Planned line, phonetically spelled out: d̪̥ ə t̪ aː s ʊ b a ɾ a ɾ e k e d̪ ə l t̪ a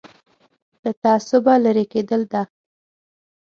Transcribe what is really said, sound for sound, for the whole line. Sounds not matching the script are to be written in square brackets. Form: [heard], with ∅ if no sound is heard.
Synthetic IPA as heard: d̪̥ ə t̪ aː s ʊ b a [l] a ɾ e k e d̪ ə l [d̪] a